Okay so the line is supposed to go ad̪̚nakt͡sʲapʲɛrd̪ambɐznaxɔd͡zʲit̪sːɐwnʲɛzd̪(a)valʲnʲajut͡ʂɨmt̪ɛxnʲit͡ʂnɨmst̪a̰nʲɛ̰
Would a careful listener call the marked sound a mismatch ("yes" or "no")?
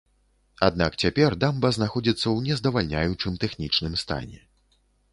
yes